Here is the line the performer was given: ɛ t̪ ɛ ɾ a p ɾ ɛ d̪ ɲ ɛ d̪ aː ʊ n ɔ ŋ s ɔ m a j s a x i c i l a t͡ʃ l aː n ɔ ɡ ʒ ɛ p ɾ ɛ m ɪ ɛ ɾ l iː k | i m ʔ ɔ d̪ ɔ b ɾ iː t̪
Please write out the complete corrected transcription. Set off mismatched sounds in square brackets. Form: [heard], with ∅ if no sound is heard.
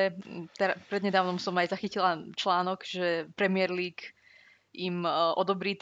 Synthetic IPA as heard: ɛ t̪ ɛ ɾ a p ɾ ɛ d̪ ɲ ɛ d̪ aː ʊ n ɔ [m] s ɔ m a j [z] a x i c i l a t͡ʃ l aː n ɔ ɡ ʒ ɛ p ɾ ɛ m ɪ ɛ ɾ l iː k | i m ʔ ɔ d̪ ɔ b ɾ iː t̪